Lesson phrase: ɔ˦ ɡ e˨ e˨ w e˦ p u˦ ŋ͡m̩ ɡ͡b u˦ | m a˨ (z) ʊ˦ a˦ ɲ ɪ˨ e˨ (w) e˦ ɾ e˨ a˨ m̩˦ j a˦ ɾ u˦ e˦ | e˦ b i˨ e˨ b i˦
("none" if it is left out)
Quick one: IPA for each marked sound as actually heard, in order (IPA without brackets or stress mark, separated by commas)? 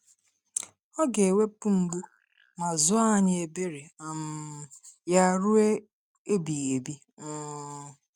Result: z, b